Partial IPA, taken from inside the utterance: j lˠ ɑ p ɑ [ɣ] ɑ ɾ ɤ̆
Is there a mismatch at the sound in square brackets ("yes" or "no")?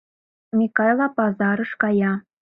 yes